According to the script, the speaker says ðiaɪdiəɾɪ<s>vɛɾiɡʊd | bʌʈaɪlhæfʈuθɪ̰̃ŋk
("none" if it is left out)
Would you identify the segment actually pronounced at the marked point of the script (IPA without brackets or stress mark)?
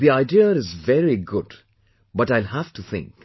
z